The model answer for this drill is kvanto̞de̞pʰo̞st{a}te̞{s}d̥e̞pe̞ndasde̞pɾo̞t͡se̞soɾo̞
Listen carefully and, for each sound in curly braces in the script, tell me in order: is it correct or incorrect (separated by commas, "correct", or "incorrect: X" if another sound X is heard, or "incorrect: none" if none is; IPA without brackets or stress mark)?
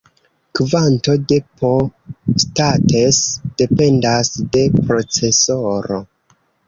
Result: correct, correct